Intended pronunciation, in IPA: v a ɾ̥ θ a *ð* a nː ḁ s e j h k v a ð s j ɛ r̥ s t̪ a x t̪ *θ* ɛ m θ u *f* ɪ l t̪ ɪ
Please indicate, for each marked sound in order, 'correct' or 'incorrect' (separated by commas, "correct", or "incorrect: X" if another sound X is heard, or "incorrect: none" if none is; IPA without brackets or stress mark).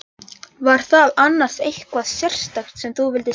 correct, incorrect: s, incorrect: v